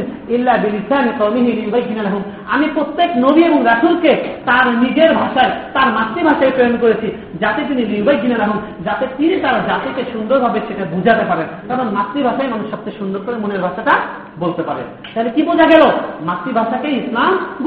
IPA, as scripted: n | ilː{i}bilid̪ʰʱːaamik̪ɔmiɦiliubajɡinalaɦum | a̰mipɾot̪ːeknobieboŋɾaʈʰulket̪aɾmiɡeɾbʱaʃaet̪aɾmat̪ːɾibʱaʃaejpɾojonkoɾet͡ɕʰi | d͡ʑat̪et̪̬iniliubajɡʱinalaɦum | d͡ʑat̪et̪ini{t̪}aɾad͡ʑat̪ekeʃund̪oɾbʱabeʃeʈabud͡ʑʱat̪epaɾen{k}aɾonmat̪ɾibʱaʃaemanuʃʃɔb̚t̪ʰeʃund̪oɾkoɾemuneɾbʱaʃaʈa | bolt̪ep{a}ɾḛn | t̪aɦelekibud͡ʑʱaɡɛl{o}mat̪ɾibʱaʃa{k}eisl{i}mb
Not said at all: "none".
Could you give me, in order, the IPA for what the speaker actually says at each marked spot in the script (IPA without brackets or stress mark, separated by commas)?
a, t̪, k, a, o, k, a